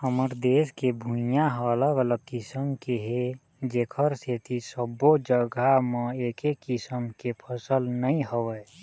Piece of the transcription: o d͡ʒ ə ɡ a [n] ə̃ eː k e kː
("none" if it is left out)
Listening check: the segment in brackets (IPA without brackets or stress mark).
m